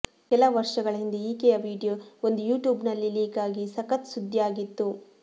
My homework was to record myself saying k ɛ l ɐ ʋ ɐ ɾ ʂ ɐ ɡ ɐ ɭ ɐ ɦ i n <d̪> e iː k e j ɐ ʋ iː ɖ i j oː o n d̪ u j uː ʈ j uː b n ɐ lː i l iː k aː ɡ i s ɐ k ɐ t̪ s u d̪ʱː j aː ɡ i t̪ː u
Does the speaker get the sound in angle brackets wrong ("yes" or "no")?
no